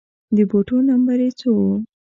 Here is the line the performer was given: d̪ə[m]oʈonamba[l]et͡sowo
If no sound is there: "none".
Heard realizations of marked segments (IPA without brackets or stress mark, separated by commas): b, ɾ